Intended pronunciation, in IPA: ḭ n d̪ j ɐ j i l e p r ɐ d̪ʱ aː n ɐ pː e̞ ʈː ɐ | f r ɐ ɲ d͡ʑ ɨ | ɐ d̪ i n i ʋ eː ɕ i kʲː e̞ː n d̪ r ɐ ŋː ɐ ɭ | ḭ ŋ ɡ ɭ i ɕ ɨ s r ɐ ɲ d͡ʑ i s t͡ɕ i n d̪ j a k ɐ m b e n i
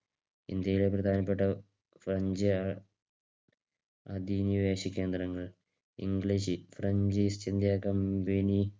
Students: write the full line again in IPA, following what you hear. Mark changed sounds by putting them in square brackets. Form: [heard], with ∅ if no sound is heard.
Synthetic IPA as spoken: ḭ n d̪ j ɐ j i l e p r ɐ d̪ʱ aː n ɐ pː e̞ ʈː ɐ | f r ɐ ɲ d͡ʑ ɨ | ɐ d̪ i n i ʋ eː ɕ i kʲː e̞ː n d̪ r ɐ ŋː ɐ ɭ | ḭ ŋ ɡ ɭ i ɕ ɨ [f] r ɐ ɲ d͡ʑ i s t͡ɕ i n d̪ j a k ɐ m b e n i